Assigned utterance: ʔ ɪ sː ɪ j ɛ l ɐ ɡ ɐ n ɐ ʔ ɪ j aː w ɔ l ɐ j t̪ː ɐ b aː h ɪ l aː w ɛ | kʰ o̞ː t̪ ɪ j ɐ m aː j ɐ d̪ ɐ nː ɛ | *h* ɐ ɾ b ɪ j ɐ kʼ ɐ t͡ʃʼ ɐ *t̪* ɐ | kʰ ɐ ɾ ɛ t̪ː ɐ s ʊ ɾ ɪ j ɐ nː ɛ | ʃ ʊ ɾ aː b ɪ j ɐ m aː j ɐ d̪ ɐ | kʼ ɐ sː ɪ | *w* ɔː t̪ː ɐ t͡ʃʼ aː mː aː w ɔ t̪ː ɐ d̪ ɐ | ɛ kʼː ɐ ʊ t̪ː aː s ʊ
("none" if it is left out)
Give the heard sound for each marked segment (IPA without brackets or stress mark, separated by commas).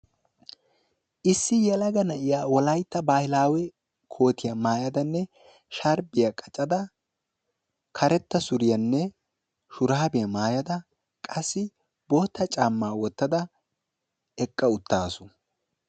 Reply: ʃ, d̪, b